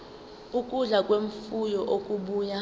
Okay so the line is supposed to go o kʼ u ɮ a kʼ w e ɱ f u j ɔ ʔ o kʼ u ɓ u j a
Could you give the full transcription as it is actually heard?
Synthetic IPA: u kʼ u ɮ a kʼ w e ɱ f u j ɔ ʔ o kʼ u ɓ uː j a